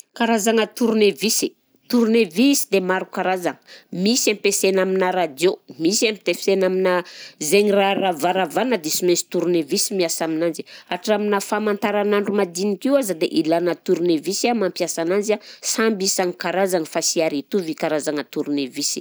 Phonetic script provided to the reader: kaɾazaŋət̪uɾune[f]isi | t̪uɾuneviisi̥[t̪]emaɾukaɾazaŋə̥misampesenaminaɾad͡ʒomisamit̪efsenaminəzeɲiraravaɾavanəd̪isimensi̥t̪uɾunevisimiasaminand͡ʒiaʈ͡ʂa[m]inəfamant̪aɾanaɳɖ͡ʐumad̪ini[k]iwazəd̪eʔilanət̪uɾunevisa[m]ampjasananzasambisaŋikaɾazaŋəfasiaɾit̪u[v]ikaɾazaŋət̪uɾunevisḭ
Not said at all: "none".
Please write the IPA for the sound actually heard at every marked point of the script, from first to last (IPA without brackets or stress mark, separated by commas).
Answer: v, d̪, m, k, m, v